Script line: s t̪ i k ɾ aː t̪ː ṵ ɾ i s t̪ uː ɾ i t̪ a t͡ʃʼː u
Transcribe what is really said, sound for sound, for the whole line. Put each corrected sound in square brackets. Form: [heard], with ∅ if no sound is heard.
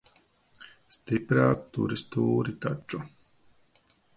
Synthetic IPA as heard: s t̪ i [p] ɾ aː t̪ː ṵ ɾ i s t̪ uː ɾ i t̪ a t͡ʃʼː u